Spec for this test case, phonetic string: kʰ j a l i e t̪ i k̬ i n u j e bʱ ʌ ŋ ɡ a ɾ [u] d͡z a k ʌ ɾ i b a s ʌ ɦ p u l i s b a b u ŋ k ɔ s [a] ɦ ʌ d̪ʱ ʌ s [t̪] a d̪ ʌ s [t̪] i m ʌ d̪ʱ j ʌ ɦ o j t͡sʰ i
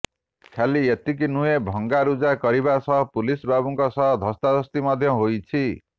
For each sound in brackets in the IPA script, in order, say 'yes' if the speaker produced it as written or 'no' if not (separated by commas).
yes, no, yes, yes